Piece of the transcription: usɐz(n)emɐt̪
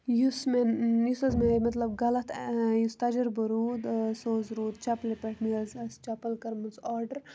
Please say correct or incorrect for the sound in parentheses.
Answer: incorrect